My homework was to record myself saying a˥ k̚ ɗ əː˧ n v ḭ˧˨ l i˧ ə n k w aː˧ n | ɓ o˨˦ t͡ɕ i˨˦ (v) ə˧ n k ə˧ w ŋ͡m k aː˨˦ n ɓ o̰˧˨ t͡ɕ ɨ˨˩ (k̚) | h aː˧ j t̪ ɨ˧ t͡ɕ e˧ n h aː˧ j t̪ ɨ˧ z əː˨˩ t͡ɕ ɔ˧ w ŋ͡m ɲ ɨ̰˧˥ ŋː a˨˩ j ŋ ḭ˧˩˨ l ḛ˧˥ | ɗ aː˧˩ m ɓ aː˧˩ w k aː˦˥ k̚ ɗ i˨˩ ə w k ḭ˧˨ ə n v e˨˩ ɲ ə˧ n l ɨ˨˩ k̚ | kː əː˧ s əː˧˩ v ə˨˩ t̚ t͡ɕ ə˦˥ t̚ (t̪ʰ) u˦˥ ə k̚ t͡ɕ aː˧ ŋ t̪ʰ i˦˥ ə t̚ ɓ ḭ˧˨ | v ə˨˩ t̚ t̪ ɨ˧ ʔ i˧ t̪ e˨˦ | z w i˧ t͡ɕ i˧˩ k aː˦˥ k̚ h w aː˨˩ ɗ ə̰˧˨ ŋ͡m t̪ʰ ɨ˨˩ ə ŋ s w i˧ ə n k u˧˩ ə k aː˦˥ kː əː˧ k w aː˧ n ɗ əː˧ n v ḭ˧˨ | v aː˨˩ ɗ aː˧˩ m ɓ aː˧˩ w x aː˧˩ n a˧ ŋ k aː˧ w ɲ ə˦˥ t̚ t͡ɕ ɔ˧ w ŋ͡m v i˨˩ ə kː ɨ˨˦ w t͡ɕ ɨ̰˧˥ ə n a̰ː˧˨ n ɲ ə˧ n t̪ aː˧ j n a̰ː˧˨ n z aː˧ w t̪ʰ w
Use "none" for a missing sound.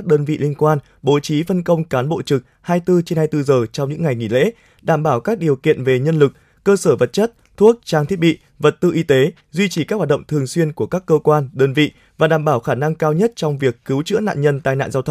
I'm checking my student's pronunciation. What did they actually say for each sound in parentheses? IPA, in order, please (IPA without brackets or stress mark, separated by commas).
f, k̚, t̪ʰ